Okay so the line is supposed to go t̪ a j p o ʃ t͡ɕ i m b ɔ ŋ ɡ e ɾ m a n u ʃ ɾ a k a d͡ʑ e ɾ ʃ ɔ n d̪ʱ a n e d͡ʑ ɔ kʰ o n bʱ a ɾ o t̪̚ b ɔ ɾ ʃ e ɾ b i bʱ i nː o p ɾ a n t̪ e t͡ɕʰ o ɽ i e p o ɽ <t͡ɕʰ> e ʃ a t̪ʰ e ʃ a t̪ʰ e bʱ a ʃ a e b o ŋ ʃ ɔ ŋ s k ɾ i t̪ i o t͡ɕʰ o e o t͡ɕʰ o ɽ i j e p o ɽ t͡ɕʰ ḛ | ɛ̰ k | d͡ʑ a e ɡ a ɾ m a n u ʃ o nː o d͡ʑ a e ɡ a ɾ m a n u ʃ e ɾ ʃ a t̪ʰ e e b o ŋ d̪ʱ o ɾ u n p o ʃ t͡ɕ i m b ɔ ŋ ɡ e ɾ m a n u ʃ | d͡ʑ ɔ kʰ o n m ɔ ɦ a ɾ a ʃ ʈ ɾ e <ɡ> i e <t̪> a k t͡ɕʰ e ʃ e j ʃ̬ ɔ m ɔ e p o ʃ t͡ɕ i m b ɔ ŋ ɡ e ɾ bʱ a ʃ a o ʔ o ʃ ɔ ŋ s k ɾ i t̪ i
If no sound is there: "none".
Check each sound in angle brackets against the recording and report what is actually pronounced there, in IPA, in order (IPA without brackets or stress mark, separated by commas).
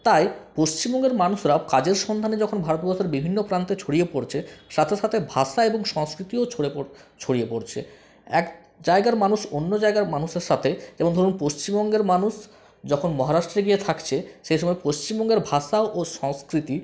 t͡ɕʰ, ɡ, t̪ʰ